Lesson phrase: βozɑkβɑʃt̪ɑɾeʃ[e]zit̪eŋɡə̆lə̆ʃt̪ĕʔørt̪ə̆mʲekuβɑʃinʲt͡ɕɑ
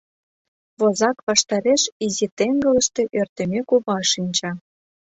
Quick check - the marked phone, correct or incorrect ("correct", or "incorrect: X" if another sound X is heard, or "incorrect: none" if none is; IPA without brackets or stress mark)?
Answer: incorrect: i